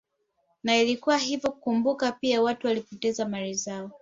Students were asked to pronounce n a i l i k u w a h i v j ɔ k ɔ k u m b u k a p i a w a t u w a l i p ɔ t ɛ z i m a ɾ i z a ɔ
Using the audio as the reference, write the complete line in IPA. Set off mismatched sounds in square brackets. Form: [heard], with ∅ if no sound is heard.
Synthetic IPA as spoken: n a i l i k u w a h i v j ɔ k [u] k u m b u k a p i a w a t u w a l i p ɔ t ɛ z [a] m a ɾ i z a ɔ